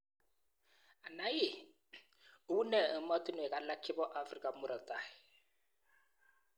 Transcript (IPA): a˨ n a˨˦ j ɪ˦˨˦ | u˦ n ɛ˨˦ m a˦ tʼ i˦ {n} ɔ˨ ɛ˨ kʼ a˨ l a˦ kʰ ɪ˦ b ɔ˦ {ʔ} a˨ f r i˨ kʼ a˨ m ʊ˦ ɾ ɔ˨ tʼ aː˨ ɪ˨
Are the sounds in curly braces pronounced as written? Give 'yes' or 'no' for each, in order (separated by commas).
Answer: yes, yes